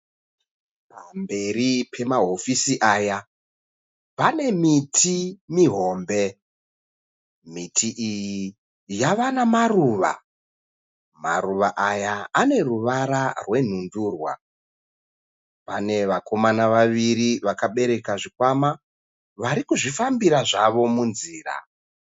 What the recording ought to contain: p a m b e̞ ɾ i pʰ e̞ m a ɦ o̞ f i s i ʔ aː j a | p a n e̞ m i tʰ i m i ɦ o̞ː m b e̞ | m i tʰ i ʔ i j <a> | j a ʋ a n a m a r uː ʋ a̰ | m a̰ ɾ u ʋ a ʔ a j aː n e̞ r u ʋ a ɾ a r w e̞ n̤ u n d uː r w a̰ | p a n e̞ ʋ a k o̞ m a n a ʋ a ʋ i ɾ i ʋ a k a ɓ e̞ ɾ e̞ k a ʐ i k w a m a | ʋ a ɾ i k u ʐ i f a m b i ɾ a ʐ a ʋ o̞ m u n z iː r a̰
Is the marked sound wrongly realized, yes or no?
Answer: yes